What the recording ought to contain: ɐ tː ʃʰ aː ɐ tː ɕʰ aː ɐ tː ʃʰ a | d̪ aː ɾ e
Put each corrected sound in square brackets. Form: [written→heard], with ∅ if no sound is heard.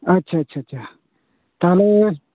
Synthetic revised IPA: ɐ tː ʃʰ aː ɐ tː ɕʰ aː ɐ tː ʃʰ a | [d̪→t̪] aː [ɾ→l] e